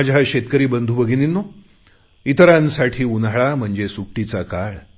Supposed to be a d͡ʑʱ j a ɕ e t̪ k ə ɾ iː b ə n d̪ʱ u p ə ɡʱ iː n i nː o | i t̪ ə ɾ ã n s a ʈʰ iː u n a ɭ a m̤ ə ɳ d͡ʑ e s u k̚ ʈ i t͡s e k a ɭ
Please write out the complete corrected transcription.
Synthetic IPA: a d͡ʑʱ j a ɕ e t̪ k ə ɾ iː b ə n d̪ʱ u b ə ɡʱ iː n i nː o | i t̪ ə ɾ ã n s a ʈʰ iː u n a ɭ a m̤ ə ɳ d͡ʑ e s u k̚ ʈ i t͡s a k a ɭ

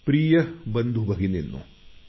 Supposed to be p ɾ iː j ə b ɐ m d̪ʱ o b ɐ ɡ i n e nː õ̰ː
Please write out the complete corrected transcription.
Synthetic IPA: p ɾ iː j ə b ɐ n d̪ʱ u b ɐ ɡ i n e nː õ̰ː

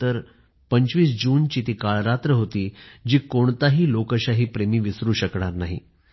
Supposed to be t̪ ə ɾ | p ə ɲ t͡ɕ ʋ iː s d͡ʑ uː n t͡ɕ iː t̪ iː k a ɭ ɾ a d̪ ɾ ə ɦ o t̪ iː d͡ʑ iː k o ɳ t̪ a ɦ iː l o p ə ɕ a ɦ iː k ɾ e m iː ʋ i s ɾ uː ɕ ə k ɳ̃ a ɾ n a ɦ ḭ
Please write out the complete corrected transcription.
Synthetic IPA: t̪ ə ɾ | p ə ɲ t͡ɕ ʋ iː s d͡ʑ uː n t͡ɕ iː t̪ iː k a ɭ ɾ a t̪ ɾ ə ɦ o t̪ iː d͡ʑ iː k o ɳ t̪ a ɦ iː l o k ə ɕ a ɦ iː p ɾ e m iː ʋ i s ɾ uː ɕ ə k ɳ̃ a ɾ n a ɦ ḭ

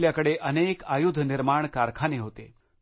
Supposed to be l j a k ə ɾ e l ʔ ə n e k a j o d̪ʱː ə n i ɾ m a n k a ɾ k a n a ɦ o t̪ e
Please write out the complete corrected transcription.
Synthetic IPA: l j a k ə ɽ e ʔ ə n e k a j u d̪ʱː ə n i ɾ m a ɳ k a ɾ kʰ a n e ɦ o t̪ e

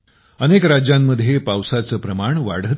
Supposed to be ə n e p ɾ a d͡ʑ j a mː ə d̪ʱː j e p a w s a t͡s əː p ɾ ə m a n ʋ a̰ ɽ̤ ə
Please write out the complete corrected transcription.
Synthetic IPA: ə n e k ɾ a d͡ʑ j a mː ə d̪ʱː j e p a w s a t͡s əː p ɾ ə m a ɳ ʋ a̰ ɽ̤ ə

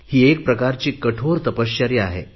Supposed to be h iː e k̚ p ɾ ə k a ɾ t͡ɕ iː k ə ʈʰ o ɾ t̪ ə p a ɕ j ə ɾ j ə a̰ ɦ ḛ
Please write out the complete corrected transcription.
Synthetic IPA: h iː e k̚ p ɾ ə k a ɾ t͡ɕ iː k ə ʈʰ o ɾ t̪ ə p ə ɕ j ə ɾ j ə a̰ ɦ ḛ

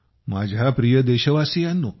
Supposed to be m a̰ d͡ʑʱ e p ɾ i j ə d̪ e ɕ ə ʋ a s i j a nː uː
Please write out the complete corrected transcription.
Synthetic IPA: m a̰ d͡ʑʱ a p ɾ i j ə d̪ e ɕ ə ʋ a s i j a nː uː

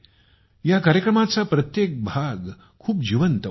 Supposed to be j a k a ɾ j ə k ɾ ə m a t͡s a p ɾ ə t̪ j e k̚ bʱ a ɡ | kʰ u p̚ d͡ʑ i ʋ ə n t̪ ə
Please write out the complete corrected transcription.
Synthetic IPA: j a k a ɾ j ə k ɾ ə m a t͡s a p ɾ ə t̪ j e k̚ bʱ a ɡ | kʰ uː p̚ d͡ʑ i ʋ ə n t̪ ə

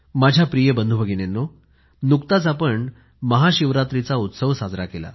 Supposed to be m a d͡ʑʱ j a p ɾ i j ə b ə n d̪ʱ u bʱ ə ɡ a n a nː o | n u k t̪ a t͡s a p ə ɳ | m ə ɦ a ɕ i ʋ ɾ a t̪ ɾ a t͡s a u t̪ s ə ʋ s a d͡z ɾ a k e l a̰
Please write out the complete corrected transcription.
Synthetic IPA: m a d͡ʑʱ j a p ɾ i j ə b ə n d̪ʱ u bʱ ə ɡ i n e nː o | n u k t̪ a t͡s a p ə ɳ | m ə ɦ a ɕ i ʋ ɾ a t̪ ɾ i t͡s a u t̪ s ə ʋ s a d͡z ɾ a k e l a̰

